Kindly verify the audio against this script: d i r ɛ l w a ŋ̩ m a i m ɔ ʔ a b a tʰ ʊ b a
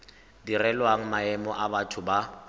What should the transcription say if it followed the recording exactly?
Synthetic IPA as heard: d i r ɛ l w a ŋ̩ m a ɛ m ɔ ʔ a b a tʰ ʊ b a